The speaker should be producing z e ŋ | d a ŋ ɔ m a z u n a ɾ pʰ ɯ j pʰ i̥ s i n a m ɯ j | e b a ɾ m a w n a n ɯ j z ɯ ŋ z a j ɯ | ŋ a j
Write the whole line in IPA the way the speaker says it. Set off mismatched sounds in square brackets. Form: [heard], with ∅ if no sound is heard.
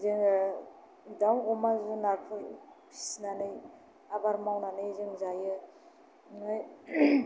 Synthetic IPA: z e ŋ | d a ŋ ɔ m a z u n a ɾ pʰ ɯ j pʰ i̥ s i n a [n] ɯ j | [a] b a ɾ m a w n a n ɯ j z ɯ ŋ z a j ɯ | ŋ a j